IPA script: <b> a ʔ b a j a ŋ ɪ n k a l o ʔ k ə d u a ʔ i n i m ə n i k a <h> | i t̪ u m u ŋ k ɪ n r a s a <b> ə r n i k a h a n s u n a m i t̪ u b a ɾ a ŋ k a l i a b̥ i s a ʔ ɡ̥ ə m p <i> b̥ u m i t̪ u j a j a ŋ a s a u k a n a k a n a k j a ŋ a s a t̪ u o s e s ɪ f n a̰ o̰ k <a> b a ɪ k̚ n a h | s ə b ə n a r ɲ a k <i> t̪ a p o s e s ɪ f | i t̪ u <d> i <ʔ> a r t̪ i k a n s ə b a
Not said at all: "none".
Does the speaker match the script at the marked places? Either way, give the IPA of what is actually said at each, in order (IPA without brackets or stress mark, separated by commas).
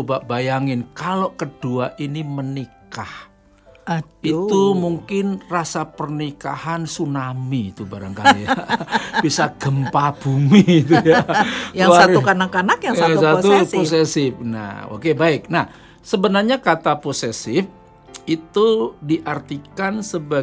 b, h, p, a, e, a, d, ʔ